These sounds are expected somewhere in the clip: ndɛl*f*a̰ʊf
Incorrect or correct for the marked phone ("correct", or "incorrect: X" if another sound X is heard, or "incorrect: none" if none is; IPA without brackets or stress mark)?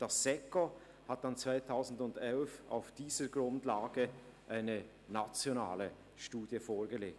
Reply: correct